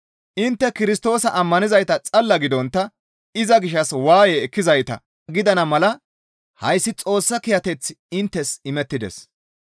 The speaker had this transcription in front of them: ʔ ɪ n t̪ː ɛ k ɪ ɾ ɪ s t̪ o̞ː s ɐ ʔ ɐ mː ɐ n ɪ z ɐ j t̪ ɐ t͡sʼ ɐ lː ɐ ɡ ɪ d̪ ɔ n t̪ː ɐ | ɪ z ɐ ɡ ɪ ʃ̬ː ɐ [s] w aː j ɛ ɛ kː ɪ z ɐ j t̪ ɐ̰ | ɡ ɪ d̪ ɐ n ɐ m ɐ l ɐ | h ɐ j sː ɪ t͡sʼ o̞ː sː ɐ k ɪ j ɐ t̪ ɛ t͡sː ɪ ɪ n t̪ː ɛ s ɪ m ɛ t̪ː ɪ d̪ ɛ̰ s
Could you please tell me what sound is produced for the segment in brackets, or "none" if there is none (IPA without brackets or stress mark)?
s